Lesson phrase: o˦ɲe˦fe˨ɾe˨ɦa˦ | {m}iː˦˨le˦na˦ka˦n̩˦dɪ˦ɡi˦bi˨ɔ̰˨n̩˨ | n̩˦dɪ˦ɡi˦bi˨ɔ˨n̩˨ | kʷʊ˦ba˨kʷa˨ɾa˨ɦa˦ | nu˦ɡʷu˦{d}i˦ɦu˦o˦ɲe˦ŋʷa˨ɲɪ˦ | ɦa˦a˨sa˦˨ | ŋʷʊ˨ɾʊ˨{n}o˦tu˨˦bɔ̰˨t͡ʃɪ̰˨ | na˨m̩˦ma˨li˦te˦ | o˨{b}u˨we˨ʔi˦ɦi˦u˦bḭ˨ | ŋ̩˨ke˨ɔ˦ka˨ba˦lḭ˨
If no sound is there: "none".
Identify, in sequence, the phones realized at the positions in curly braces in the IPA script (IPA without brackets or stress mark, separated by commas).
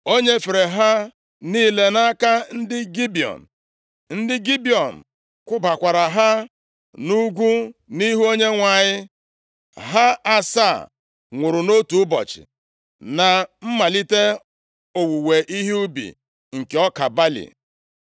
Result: n, n, n, w